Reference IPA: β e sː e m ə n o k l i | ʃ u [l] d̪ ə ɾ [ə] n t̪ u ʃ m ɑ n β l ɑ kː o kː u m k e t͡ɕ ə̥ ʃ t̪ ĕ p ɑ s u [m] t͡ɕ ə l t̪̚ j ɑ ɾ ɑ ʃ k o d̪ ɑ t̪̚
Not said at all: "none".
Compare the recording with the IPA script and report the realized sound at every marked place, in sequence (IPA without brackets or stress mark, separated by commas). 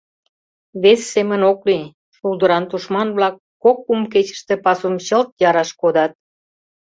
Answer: l, ɑ, m